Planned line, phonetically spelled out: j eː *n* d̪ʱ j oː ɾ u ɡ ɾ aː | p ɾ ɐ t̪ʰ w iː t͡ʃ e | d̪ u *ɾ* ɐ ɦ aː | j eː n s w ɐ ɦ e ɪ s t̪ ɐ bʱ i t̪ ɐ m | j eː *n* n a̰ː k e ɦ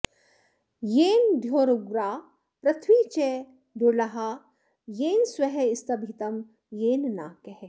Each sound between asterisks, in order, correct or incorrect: correct, incorrect: l, correct

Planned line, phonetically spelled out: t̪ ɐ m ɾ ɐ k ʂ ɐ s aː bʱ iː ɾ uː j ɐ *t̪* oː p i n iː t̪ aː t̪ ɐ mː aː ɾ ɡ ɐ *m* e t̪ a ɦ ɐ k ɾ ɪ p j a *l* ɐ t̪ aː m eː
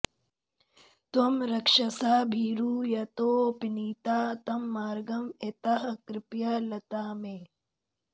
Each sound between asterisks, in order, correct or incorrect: correct, correct, correct

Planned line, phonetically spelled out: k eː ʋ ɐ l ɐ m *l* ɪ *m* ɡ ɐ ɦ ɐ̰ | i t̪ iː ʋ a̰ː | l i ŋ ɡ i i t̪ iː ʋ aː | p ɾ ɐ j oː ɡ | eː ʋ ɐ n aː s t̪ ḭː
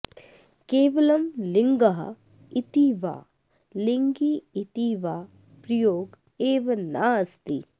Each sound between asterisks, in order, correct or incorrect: correct, incorrect: ŋ

